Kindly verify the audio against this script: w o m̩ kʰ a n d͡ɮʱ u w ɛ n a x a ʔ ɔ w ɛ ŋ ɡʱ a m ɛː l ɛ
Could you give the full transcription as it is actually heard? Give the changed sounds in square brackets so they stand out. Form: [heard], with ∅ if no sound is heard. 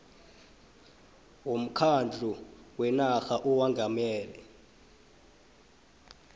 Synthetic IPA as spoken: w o m̩ kʰ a n d͡ɮʱ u w ɛ n a x a ʔ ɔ w [a] ŋ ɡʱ a m ɛː l ɛ